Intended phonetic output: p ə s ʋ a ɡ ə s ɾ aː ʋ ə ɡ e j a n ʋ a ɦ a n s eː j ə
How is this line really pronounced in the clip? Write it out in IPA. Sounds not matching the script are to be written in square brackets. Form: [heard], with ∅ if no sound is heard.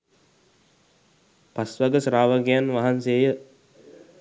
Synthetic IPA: p [a] s ʋ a ɡ ə s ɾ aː ʋ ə ɡ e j a n ʋ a ɦ a n s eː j ə